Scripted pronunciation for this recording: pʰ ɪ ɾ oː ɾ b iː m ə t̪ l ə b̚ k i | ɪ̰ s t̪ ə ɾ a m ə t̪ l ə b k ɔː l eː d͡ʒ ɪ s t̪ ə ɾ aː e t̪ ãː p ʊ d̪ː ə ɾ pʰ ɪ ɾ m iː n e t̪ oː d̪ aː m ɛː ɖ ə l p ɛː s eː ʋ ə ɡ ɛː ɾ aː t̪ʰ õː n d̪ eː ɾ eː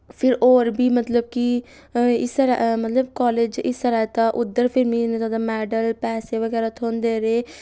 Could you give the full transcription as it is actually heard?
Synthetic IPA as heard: pʰ ɪ ɾ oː ɾ b iː m ə t̪ l ə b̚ k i | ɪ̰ s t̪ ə ɾ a m ə t̪ l ə b k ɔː l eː d͡ʒ ɪ s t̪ ə ɾ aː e t̪ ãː ʔ ʊ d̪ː ə ɾ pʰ ɪ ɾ m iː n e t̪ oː d̪ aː m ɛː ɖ ə l p ɛː s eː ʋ ə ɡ ɛː ɾ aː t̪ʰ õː n d̪ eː ɾ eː